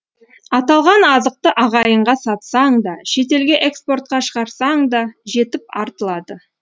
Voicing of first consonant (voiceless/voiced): voiceless